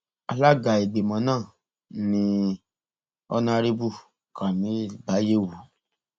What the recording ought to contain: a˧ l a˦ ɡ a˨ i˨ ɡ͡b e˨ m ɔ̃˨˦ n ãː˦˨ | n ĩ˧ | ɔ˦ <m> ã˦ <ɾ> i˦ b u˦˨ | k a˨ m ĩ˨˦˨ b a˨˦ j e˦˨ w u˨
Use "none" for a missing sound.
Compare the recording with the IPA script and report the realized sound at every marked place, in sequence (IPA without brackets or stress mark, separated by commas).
n, ɾ